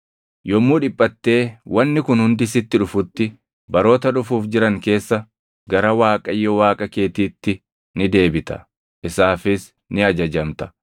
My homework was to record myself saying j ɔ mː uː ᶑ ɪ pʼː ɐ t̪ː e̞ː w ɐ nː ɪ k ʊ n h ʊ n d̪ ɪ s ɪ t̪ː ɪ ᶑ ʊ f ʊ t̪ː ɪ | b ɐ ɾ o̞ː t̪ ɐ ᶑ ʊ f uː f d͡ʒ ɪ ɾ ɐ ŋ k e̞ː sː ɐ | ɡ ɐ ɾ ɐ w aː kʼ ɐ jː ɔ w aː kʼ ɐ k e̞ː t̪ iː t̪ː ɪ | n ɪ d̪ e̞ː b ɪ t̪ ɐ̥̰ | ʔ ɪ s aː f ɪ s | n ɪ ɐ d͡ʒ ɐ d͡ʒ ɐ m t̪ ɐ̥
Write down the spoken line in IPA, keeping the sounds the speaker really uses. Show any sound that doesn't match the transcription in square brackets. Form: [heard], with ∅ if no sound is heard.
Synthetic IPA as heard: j ɔ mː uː ᶑ ɪ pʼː ɐ t̪ː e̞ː w ɐ nː ɪ k ʊ n h ʊ n d̪ ɪ s ɪ t̪ː ɪ ᶑ ʊ f ʊ t̪ː ɪ | b ɐ ɾ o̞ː t̪ ɐ ᶑ ʊ f uː f d͡ʒ ɪ ɾ ɐ ŋ k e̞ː sː ɐ | ɡ ɐ ɾ ɐ w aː kʼ ɐ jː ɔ w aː kʼ ɐ k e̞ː t̪ iː t̪ː ɪ | n ɪ d̪ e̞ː b ɪ t̪ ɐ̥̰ | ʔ ɪ s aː f ɪ s | n ɪ ɐ d͡ʒ ɐ d͡ʒ ɐ m t̪ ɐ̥